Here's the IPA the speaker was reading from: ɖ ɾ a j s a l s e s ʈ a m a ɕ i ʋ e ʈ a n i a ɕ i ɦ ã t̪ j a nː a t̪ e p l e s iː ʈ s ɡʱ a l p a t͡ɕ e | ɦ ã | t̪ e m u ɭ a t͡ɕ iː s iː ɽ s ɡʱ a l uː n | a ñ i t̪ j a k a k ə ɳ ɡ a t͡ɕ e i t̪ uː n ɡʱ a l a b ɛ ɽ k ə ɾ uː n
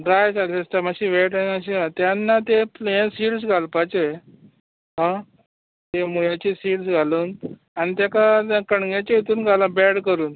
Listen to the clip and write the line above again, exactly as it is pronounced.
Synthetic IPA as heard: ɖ ɾ a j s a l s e s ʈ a m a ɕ i ʋ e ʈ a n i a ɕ i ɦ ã t̪ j a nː a t̪ e p l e s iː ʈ s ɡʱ a l p a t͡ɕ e | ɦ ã | t̪ e m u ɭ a t͡ɕ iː s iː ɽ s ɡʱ a l uː n | a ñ i t̪ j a k a k ə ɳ ɡ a t͡ɕ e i t̪ uː n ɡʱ a l a b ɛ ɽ k ə ɾ uː n